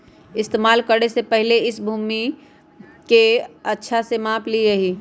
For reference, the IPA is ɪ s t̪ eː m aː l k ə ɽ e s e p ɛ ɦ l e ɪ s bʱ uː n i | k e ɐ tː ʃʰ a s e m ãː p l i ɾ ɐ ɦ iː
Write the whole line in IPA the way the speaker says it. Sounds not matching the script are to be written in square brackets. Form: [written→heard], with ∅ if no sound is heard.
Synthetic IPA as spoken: ɪ s t̪ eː m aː l k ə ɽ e s e p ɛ ɦ l e ɪ s bʱ uː [n→m] i | k e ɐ tː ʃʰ a s e m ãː p l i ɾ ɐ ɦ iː